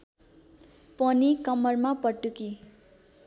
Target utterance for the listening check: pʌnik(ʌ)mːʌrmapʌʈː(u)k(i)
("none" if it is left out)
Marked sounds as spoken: ʌ, u, i

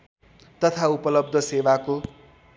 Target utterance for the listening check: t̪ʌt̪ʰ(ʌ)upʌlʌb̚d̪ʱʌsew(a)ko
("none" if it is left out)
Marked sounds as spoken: a, a

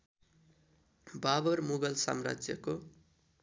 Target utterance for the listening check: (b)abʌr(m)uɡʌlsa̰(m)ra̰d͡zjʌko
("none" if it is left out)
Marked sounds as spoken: b, m, m

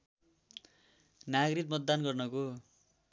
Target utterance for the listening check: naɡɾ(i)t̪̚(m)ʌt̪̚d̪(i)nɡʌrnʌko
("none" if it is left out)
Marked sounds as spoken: i, m, a

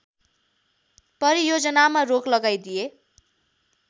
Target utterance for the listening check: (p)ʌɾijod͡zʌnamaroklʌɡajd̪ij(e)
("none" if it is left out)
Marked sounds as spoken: p, e

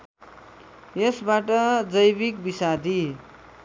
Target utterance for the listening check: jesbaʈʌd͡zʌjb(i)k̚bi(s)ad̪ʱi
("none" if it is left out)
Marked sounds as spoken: i, s

